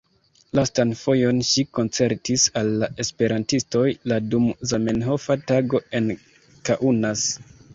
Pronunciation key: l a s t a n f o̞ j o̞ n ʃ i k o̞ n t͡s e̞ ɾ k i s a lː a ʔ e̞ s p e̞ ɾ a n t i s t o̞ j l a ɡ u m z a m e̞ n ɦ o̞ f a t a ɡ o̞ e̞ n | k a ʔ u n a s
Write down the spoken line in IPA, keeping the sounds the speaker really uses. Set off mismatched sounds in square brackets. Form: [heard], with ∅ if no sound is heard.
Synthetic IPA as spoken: l a s t a n f o̞ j o̞ n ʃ i k o̞ n t͡s e̞ ɾ [t] i s a lː a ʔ e̞ s p e̞ ɾ a n t i s t o̞ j l a [d] u m z a m e̞ n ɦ o̞ f a t a ɡ o̞ e̞ n | k a ʔ u n a s

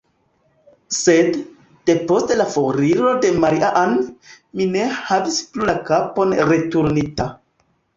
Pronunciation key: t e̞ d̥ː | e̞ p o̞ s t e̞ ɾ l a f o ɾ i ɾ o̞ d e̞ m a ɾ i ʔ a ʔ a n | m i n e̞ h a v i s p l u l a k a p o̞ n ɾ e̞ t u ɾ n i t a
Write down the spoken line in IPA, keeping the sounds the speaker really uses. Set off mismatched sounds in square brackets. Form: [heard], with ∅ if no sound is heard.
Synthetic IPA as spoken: [s] e̞ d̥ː | e̞ p o̞ s t e̞ [∅] l a f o ɾ i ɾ o̞ d e̞ m a ɾ i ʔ a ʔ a n | m i n e̞ h a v i s p l u l a k a p o̞ n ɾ e̞ t u ɾ n i t a

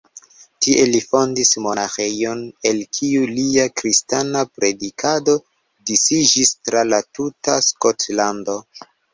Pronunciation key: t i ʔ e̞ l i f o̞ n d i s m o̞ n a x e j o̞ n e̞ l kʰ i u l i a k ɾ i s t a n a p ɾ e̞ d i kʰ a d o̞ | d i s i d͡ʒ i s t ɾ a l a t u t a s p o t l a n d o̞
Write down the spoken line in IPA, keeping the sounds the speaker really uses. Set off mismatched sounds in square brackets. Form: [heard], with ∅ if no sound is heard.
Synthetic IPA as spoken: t i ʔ e̞ l i f o̞ n d i s m o̞ n a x e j o̞ n e̞ l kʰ i u l i a k ɾ i s t a n a p ɾ e̞ d i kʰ a d o̞ | d i s i d͡ʒ i s t ɾ a l a t u t a s [k] o t l a n d o̞

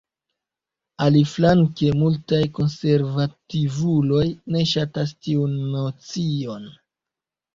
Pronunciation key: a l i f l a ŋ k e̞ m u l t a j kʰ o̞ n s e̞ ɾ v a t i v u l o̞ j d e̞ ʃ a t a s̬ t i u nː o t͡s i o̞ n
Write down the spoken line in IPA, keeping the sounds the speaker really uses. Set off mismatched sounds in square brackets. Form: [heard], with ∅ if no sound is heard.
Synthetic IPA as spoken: a l i f l a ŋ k e̞ m u l t a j [k] o̞ n s e̞ ɾ v a t i v u l o̞ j [n] e̞ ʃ a t a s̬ t i u nː o t͡s i o̞ n

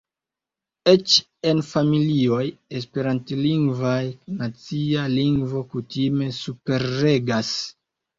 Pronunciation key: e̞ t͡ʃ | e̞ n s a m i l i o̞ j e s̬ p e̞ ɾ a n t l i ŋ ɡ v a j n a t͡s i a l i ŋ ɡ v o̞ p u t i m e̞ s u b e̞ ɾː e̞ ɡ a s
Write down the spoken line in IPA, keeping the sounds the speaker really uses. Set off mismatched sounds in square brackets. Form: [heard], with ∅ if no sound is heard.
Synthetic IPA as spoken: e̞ t͡ʃ | e̞ n [f] a m i l i o̞ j e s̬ p e̞ ɾ a n t l i ŋ ɡ v a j n a t͡s i a l i ŋ ɡ v o̞ [k] u t i m e̞ s u [p] e̞ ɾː e̞ ɡ a s

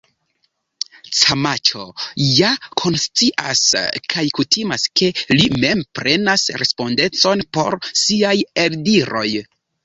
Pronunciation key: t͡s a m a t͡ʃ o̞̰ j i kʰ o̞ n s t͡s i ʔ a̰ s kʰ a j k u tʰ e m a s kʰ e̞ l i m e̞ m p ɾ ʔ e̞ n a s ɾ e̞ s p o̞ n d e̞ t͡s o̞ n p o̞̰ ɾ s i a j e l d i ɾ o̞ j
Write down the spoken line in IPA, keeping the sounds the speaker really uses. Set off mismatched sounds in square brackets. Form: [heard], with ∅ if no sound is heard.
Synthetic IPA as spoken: t͡s a m a t͡ʃ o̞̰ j [a] kʰ o̞ n s t͡s i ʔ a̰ s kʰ a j k u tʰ [i] m a s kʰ e̞ l i m e̞ m p ɾ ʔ e̞ n a s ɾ e̞ s p o̞ n d e̞ t͡s o̞ n p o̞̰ ɾ s i a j e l d i ɾ o̞ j

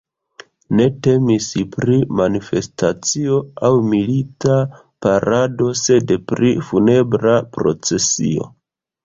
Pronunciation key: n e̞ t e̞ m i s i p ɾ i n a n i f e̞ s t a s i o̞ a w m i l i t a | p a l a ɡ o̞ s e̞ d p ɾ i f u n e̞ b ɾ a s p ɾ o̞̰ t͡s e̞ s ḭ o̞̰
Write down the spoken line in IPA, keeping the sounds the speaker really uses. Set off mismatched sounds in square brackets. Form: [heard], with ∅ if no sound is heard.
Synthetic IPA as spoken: n e̞ t e̞ m i s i p ɾ i [m] a n i f e̞ s t a [t͡s] i o̞ a w m i l i t a | p a [ɾ] a [d] o̞ s e̞ d p ɾ i f u n e̞ b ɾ a [∅] p ɾ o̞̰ t͡s e̞ s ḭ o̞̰

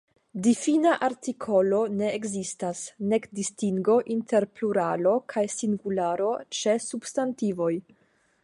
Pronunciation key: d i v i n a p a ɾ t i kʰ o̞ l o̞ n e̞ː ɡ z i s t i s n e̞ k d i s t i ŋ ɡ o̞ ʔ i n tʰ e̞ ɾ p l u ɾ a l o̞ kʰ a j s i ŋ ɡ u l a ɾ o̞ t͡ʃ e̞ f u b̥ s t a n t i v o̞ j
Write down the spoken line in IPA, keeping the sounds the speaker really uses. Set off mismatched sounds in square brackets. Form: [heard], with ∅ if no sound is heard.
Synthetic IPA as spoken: d i [f] i n a [ʔ] a ɾ t i kʰ o̞ l o̞ n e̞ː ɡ z i s t [a] s n e̞ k d i s t i ŋ ɡ o̞ ʔ i n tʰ e̞ ɾ p l u ɾ a l o̞ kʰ a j s i ŋ ɡ u l a ɾ o̞ t͡ʃ e̞ [s] u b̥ s t a n t i v o̞ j

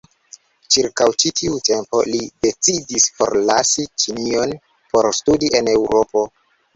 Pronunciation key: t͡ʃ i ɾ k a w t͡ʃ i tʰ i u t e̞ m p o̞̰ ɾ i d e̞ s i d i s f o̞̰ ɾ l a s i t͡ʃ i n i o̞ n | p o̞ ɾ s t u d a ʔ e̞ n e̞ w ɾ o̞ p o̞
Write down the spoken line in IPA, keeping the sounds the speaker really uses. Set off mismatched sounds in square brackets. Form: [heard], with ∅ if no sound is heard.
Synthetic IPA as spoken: t͡ʃ i ɾ k a w t͡ʃ i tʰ i u t e̞ m p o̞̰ [l] i d e̞ [t͡s] i d i s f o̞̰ ɾ l a s i t͡ʃ i n i o̞ n | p o̞ ɾ s t u d [i] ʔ e̞ n e̞ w ɾ o̞ p o̞

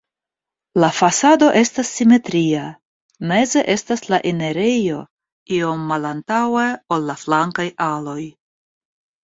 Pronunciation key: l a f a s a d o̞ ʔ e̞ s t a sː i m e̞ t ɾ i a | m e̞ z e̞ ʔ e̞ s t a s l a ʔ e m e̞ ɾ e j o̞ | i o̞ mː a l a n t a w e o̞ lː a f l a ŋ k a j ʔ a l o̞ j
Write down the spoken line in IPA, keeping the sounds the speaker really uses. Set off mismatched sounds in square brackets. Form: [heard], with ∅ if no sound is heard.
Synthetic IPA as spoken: l a f a s a d o̞ ʔ e̞ s t a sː i m e̞ t ɾ i a | m e̞ z e̞ ʔ e̞ s t a s l a ʔ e [n] e̞ ɾ e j o̞ | i o̞ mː a l a n t a w e o̞ lː a f l a ŋ k a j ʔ a l o̞ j

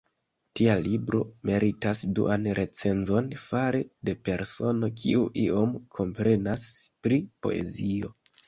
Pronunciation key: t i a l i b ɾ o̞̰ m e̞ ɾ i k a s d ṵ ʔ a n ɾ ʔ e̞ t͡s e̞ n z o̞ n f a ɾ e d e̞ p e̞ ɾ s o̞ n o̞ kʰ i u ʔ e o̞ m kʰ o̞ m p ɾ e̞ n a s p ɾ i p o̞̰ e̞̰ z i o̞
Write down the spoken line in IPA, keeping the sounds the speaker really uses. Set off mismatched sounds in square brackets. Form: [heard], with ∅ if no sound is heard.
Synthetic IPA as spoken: t i a l i b ɾ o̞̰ m e̞ ɾ i [t] a s d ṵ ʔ a n ɾ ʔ e̞ t͡s e̞ n z o̞ n f a ɾ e d e̞ p e̞ ɾ s o̞ n o̞ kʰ i u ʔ [i] o̞ m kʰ o̞ m p ɾ e̞ n a s p ɾ i p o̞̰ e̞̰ z i o̞

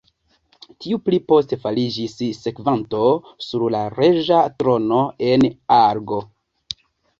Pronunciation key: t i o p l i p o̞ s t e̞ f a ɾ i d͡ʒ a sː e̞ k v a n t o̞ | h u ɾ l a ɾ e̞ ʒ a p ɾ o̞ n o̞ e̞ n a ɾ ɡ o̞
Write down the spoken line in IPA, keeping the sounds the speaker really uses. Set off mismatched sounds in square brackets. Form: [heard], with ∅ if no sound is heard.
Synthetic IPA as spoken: t i [u] p l i p o̞ s t e̞ f a [l] i d͡ʒ [i] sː e̞ k v a n t o̞ | [s] u ɾ l a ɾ e̞ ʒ a [t] ɾ o̞ n o̞ e̞ n a ɾ ɡ o̞

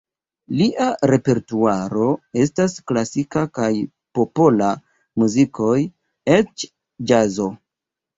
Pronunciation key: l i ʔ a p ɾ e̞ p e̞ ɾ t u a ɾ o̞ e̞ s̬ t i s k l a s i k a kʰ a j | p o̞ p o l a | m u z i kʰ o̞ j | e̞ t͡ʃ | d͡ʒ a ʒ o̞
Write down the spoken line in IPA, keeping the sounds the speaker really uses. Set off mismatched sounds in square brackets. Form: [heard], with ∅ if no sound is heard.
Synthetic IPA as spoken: l i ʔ a [∅] ɾ e̞ p e̞ ɾ t u a ɾ o̞ e̞ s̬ t [a] s k l a s i k a [k] a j | p o̞ p o l a | m u z i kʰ o̞ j | e̞ t͡ʃ | d͡ʒ a [z] o̞

